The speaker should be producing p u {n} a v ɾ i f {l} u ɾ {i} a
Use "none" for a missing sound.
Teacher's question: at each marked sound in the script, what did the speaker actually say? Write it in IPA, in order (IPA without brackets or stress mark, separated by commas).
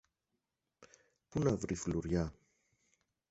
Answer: n, l, j